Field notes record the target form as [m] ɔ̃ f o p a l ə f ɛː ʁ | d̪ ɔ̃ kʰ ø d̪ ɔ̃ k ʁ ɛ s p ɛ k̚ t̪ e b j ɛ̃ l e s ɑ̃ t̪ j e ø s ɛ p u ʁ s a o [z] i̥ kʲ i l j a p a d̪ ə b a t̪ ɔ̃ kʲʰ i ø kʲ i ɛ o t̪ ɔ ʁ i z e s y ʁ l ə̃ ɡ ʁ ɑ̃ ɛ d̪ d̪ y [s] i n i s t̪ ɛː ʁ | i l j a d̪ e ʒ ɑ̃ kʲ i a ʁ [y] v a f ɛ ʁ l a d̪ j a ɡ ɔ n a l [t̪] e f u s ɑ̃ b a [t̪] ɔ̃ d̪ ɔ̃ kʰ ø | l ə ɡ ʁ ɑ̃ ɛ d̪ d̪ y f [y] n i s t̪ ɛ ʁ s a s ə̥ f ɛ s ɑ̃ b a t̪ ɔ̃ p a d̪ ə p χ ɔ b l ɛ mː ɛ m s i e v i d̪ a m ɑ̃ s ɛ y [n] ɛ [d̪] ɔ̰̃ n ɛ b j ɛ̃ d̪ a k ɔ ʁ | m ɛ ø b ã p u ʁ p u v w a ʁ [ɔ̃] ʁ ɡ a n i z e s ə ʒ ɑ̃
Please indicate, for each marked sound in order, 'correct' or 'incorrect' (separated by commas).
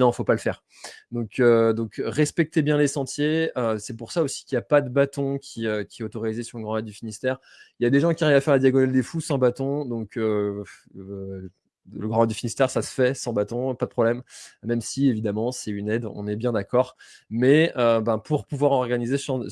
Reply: incorrect, incorrect, incorrect, incorrect, incorrect, correct, incorrect, correct, correct, incorrect